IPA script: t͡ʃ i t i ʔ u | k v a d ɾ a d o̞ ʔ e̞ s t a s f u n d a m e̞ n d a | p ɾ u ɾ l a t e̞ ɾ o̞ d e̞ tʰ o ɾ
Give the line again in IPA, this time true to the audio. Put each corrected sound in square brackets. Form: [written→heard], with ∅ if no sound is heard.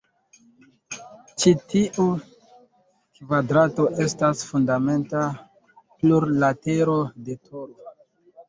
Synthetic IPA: t͡ʃ i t i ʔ u | k v a d ɾ a [d→t] o̞ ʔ e̞ s t a s f u n d a m e̞ n [d→t] a | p [ɾ→l] u ɾ l a t e̞ ɾ o̞ d e̞ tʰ o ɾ